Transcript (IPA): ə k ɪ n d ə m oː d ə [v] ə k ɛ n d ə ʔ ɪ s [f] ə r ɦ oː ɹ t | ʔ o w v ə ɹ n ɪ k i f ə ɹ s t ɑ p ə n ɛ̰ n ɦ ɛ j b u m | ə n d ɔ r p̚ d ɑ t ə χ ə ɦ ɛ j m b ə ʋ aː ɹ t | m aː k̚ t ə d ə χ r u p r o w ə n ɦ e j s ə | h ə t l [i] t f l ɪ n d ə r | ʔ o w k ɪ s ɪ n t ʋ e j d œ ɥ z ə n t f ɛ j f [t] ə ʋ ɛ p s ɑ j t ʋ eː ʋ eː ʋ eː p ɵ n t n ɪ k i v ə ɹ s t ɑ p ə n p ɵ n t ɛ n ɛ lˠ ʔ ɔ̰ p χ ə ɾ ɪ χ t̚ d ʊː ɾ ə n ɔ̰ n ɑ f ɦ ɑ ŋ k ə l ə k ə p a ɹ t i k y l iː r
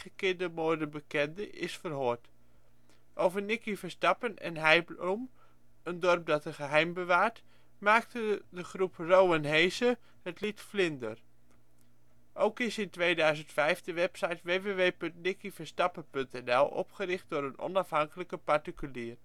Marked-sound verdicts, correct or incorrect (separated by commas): incorrect, correct, correct, incorrect